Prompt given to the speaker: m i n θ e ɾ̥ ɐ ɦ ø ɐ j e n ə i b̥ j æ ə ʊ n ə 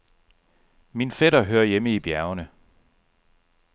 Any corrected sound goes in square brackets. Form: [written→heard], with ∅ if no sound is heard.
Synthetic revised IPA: m i n [θ→f] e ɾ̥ ɐ ɦ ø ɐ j e [n→m] ə i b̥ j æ [ə→ɐ] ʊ n ə